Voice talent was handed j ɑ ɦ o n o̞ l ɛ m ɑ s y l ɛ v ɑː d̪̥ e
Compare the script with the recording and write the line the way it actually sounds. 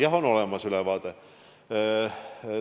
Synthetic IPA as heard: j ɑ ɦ o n o̞ l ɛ m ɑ s y l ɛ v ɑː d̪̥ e